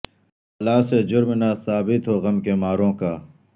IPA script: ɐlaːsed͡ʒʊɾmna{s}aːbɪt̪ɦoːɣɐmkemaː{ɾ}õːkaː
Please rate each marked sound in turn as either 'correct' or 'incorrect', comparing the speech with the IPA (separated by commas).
correct, correct